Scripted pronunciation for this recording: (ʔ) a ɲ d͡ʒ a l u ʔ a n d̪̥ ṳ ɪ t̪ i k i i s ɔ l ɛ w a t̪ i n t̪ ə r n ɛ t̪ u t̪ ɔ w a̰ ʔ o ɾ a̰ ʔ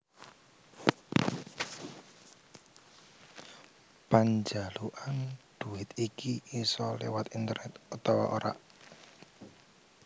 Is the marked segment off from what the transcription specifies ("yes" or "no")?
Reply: yes